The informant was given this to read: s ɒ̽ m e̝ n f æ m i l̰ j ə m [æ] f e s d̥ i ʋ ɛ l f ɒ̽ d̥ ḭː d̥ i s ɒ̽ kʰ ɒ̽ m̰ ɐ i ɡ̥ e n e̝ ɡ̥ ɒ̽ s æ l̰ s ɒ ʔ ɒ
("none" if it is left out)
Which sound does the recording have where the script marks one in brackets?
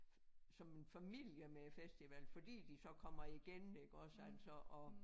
e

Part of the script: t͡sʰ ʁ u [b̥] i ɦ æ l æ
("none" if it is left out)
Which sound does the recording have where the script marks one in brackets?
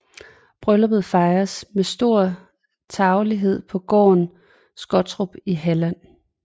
b̥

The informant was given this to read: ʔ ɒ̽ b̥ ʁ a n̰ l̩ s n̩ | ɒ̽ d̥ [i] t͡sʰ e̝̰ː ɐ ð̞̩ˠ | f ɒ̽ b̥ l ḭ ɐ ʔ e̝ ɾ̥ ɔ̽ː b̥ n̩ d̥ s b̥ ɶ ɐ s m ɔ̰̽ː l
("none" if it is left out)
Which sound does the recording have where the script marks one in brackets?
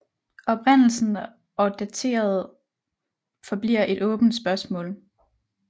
æ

